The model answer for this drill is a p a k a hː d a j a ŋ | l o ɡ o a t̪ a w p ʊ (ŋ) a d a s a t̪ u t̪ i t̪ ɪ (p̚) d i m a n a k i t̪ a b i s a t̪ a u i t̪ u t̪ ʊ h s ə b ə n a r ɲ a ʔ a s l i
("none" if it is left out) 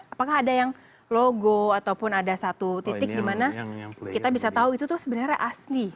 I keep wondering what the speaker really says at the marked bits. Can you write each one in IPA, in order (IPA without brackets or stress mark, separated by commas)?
n, k̚